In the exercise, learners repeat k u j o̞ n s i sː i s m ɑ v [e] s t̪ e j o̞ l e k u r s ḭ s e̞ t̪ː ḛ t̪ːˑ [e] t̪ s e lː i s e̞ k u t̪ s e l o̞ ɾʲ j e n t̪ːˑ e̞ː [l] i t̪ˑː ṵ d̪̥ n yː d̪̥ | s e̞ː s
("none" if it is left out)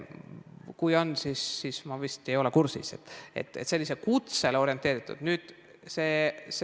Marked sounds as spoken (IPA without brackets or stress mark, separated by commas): i, e, ɾ